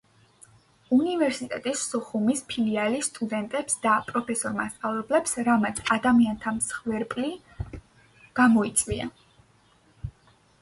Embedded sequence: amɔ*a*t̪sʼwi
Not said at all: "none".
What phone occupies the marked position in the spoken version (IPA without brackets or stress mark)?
i